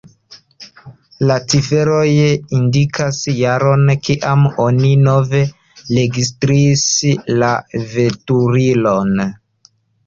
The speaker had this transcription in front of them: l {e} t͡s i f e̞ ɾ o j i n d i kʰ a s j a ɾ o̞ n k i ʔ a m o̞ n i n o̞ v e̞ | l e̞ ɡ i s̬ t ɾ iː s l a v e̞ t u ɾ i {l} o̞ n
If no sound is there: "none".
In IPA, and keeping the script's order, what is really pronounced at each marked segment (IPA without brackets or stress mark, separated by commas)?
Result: a, l